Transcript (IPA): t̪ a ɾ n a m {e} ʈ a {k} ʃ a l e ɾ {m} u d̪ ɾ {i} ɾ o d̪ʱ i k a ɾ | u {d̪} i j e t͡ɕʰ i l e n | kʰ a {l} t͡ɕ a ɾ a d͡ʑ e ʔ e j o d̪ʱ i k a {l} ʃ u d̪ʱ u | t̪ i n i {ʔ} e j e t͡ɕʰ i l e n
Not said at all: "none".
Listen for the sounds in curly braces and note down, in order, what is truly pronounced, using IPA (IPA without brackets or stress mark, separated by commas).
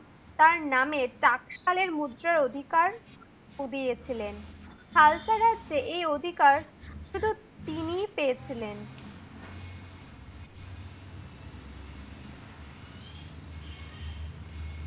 e, k, m, a, d̪, l, ɾ, p